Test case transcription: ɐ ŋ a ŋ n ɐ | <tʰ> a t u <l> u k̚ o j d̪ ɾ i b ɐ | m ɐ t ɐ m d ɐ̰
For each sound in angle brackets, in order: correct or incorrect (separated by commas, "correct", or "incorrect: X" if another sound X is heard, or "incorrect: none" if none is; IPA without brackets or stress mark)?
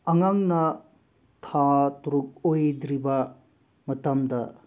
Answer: correct, incorrect: ɾ